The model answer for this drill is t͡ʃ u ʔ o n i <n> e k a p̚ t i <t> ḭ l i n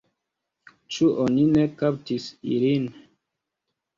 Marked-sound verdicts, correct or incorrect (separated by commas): correct, incorrect